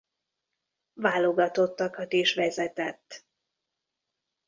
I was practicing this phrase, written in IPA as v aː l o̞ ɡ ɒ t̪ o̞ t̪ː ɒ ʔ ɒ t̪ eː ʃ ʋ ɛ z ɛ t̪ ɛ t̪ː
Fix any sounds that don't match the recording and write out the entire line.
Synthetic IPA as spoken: v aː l o̞ ɡ ɒ t̪ o̞ t̪ː ɒ k ɒ t̪ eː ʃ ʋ ɛ z ɛ t̪ ɛ t̪ː